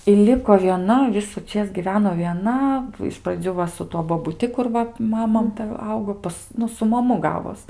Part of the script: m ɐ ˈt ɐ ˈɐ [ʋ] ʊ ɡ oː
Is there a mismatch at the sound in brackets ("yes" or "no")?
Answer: yes